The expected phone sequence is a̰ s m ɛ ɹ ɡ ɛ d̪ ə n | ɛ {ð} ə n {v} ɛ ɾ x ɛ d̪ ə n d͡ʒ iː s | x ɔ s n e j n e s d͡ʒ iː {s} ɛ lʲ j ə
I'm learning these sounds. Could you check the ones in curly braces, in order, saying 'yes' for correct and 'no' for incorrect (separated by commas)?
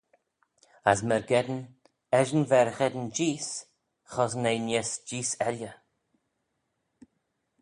no, yes, yes